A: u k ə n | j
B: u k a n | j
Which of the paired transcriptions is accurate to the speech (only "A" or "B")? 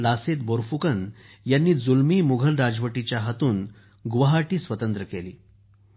A